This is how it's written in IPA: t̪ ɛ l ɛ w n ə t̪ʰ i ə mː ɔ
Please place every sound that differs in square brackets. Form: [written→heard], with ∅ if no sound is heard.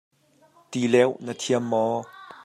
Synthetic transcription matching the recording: t̪ [ɛ→i] l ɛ w n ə t̪ʰ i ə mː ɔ

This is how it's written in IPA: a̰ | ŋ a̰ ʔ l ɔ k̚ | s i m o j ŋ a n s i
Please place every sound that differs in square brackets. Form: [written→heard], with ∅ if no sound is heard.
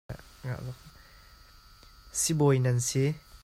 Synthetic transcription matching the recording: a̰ | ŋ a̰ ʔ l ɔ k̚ | s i [m→b] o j [ŋ→n] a n s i

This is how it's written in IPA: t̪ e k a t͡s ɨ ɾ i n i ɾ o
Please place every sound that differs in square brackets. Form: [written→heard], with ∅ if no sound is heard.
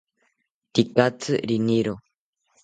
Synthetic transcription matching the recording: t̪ [e→i] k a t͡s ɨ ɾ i n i ɾ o

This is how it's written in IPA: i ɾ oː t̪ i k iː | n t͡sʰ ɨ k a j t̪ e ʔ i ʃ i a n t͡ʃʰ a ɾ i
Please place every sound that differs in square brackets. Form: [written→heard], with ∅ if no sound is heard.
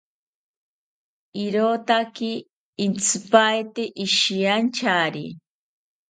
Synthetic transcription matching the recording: i ɾ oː t̪ [i→a] k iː | n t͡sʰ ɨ [k→p] a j t̪ e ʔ i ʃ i a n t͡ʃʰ a ɾ i

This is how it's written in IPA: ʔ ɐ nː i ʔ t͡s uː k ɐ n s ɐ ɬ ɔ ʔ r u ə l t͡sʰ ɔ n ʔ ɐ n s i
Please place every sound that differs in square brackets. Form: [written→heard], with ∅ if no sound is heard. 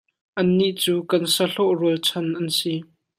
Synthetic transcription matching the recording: ʔ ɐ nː i ʔ t͡s uː k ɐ n s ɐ ɬ ɔ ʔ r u ə l t͡sʰ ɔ n ʔ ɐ n s i

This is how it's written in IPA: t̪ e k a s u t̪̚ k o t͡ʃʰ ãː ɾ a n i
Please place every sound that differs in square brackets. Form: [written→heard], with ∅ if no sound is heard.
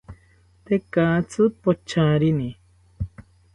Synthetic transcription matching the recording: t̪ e k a [s→t͡s] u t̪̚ [k→p] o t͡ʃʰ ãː ɾ [a→i] n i

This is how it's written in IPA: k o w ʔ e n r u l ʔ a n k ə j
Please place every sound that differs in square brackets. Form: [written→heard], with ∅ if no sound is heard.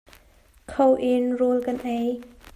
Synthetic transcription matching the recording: [k→kʰ] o w ʔ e n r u l [ʔ→k] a n [k→ʔ] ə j

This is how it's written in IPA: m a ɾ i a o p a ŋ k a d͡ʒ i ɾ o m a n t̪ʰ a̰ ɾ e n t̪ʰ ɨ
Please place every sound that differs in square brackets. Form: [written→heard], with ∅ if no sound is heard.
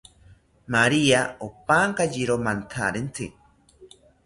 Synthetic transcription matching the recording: m a ɾ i a o p a ŋ k a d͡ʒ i ɾ o m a n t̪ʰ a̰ ɾ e n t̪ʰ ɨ

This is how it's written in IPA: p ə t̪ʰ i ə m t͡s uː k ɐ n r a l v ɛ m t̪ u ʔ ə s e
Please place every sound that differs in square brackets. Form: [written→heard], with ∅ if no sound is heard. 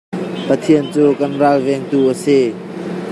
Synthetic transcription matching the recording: p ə t̪ʰ i ə [m→n] t͡s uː k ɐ n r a l v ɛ [m→ŋ] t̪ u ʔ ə s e

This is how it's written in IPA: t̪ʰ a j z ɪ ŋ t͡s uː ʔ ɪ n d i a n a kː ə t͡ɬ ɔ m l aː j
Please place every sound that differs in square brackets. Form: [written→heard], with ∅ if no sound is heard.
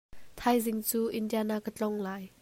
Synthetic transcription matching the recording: t̪ʰ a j z ɪ ŋ t͡s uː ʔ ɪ n d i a n a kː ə t͡ɬ ɔ [m→ŋ] l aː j

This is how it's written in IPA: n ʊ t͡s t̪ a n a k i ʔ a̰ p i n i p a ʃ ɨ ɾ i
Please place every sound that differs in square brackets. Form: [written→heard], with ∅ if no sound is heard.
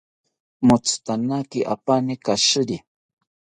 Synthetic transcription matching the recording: [n→m] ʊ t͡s t̪ a n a k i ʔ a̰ p [i→a] n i [p→k] a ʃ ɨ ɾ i

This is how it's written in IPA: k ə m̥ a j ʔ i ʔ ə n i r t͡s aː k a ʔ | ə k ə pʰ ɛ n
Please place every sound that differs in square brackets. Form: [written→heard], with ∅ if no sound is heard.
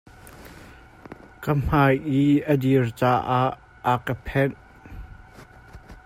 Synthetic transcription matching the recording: k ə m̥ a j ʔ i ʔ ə [n→d] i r t͡s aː [k→ʔ] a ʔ | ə k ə pʰ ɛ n

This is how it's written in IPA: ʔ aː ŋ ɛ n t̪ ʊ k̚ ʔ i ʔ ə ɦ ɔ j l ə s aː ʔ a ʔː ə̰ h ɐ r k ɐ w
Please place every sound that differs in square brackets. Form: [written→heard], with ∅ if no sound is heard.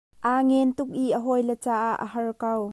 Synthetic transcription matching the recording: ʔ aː ŋ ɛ n t̪ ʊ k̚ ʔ i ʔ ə ɦ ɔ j l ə [s→t͡s] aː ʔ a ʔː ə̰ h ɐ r k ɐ w

